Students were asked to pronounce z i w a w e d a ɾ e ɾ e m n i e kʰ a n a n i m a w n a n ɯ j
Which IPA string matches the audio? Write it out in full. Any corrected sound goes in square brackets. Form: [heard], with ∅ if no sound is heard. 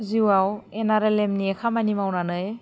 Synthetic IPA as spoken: z i w a w e [n] a ɾ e [l] e m n i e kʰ a [m] a n i m a w n a n ɯ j